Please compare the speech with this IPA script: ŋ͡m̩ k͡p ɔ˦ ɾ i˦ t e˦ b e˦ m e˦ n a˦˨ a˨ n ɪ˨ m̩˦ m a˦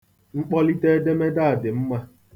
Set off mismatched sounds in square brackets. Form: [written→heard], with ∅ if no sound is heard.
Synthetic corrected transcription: ŋ͡m̩ k͡p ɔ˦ [ɾ→l] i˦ t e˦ [b→d] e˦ m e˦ [n→d] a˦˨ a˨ [n→d] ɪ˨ m̩˦ m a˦